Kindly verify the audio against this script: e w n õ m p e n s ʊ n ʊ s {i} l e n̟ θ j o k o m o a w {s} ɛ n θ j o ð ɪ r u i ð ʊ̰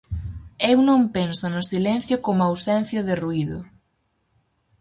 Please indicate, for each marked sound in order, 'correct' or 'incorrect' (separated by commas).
correct, correct